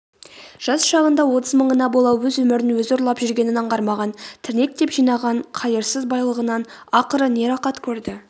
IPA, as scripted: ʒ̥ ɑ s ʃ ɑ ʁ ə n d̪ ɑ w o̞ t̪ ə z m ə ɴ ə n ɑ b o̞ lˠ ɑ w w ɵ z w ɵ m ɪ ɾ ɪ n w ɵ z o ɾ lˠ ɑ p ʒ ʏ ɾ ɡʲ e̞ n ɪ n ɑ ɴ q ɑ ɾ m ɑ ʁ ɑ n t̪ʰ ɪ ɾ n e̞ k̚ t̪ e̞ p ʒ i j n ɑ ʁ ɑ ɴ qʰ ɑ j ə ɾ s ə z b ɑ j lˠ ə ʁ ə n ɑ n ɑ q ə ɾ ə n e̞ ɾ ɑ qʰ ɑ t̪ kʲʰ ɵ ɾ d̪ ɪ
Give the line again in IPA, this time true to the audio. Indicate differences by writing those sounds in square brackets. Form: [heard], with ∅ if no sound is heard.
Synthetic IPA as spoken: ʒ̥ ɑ s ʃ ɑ ʁ ə n d̪ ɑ w o̞ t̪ ə z m ə ɴ ə n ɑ b o̞ lˠ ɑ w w ɵ z w ɵ m ɪ ɾ ɪ n w ɵ z o ɾ lˠ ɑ p ʒ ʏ ɾ ɡʲ e̞ n ɪ n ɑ ɴ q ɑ ɾ m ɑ ʁ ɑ n t̪ʰ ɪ ɾ n e̞ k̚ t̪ e̞ p ʒ i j n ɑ ʁ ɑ ɴ qʰ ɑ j ə ɾ s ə z b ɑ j lˠ ə ʁ ə n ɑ n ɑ q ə ɾ ə n e̞ ɾ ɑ [q] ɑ t̪ kʲʰ ɵ ɾ d̪ ɪ